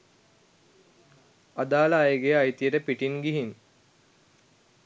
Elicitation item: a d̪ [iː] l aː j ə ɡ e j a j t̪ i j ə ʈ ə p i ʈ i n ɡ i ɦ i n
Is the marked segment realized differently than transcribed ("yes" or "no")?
yes